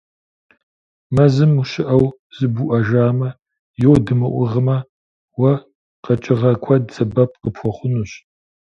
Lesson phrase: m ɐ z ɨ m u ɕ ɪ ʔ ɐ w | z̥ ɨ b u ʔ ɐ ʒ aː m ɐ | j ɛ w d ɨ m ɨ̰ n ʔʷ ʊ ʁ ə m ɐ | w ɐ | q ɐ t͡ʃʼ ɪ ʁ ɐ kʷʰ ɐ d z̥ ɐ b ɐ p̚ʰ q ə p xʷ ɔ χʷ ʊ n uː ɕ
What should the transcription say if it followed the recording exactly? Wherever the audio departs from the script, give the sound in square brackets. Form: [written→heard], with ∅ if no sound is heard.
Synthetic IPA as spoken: m ɐ z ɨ m u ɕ ɪ ʔ ɐ w | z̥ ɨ b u ʔ ɐ ʒ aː m ɐ | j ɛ w d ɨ m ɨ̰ [n→∅] ʔʷ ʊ ʁ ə m ɐ | w ɐ | q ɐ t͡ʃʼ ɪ ʁ ɐ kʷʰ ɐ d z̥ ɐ b ɐ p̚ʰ q ə p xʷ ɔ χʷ ʊ n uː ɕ